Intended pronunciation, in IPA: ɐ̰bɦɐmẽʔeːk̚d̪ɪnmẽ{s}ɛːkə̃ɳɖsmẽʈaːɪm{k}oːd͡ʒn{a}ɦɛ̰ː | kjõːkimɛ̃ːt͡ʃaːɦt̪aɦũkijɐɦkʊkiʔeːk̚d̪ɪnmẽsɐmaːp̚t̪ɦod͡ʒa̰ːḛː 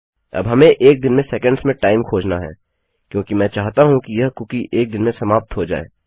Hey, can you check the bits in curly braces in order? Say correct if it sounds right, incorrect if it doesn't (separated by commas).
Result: correct, incorrect, correct